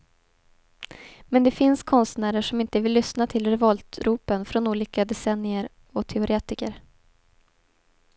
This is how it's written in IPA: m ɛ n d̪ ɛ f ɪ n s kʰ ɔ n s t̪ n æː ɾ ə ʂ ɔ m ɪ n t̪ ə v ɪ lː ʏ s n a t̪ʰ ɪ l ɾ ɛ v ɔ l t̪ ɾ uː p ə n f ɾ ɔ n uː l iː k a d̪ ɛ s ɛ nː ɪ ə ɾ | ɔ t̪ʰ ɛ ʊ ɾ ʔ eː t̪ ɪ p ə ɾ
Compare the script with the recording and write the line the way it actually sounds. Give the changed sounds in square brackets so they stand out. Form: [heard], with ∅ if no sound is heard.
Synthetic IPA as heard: m ɛ n d̪ ɛ f ɪ n s kʰ ɔ n s t̪ n æː ɾ ə ʂ ɔ m ɪ n t̪ ə v ɪ lː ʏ s n a t̪ʰ ɪ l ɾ ɛ v ɔ l t̪ ɾ uː p ə n f ɾ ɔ n uː l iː k a d̪ ɛ s ɛ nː ɪ ə ɾ | ɔ t̪ʰ ɛ ʊ ɾ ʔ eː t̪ ɪ [k] ə ɾ